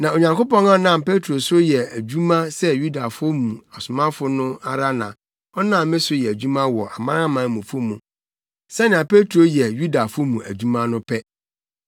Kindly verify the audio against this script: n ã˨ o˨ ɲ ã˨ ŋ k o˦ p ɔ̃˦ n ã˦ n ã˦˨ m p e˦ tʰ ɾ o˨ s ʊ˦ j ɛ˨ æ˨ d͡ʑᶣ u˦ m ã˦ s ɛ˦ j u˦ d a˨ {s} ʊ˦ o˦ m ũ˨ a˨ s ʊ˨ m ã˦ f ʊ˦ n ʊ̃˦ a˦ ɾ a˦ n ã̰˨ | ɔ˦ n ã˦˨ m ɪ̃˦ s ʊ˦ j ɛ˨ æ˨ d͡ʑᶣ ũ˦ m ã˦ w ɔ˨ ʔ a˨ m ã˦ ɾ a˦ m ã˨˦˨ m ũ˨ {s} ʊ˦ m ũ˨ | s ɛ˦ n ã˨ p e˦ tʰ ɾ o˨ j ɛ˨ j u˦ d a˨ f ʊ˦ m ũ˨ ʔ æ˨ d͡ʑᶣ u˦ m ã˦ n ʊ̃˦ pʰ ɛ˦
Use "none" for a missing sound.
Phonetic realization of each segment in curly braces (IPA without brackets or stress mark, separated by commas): f, f